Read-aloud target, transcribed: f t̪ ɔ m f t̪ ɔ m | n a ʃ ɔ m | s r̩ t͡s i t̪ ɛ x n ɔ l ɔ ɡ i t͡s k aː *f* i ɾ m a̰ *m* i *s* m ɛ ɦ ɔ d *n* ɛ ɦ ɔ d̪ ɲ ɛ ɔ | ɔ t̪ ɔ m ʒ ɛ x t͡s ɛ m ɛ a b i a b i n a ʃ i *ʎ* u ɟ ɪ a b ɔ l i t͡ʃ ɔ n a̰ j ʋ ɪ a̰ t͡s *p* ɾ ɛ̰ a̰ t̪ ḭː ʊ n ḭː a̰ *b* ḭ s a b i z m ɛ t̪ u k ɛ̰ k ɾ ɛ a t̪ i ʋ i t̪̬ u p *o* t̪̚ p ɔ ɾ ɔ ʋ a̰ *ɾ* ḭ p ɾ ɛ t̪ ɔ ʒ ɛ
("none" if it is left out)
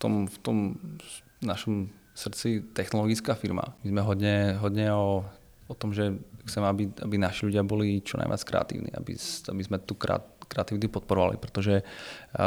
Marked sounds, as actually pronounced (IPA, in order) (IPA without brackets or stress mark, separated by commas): f, m, z, ɲ, ʎ, k, b, ɔ, l